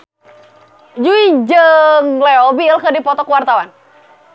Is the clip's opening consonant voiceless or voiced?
voiced